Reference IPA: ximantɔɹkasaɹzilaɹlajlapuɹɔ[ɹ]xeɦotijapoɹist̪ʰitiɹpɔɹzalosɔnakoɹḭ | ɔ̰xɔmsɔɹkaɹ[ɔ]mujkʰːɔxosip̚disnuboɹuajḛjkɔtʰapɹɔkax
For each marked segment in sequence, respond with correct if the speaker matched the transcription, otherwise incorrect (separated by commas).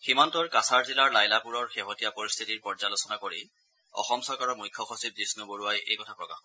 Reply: correct, correct